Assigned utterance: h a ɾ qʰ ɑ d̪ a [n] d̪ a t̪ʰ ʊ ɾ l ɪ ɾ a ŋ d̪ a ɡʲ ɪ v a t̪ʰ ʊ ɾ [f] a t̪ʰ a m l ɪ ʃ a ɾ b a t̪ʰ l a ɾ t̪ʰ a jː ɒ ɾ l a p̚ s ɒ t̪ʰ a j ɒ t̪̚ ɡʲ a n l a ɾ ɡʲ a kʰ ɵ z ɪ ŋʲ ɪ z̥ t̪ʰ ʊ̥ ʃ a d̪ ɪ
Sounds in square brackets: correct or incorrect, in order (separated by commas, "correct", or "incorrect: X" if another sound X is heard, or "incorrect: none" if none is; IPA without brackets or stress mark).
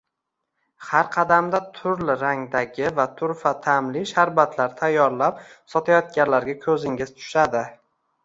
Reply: incorrect: m, correct